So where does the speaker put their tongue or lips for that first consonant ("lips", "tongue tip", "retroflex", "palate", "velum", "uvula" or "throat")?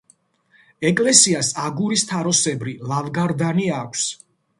velum